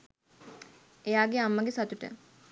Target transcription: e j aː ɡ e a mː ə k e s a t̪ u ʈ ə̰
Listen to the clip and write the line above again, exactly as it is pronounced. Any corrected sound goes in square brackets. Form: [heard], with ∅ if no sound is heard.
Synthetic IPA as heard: e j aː ɡ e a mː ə [ɡ] e s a t̪ u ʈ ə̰